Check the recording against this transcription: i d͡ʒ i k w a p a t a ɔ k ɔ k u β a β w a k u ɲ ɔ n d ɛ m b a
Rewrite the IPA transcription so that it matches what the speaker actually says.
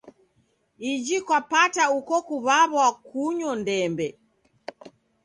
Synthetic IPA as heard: i d͡ʒ i k w a p a t a u k ɔ k u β a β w a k u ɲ ɔ n d ɛ m b ɛ